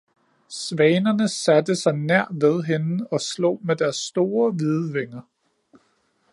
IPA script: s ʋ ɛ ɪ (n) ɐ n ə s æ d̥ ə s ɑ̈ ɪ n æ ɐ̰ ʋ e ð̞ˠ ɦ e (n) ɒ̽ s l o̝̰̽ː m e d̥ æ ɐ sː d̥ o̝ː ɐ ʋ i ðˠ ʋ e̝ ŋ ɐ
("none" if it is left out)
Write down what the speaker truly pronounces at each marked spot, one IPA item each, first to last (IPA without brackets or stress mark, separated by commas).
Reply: n, n